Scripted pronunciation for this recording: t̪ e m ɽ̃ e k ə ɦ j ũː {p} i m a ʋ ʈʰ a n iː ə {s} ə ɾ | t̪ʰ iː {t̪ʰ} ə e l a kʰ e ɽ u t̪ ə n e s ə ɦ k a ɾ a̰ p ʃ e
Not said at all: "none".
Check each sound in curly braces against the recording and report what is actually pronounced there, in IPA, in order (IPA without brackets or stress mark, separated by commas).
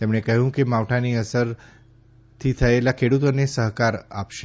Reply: k, s, t̪ʰ